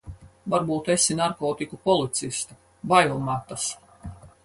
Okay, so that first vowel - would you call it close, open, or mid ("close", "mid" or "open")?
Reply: open